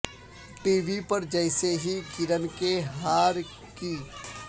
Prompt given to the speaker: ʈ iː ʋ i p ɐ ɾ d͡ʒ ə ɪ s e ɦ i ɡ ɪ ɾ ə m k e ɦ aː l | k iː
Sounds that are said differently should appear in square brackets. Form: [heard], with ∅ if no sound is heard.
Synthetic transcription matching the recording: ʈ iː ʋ i p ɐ ɾ d͡ʒ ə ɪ s e ɦ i ɡ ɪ ɾ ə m k e ɦ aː [ɾ] | k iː